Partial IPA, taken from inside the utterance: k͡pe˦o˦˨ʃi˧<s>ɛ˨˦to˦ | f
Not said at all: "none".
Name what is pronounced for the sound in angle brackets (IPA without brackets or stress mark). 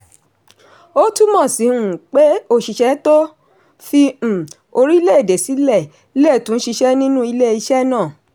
ʃ